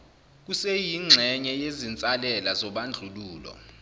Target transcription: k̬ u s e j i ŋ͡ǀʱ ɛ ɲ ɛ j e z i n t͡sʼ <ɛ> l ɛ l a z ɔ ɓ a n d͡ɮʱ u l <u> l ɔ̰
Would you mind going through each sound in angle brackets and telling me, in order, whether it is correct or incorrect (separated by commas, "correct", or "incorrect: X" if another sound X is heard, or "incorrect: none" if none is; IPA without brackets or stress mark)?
incorrect: a, incorrect: uː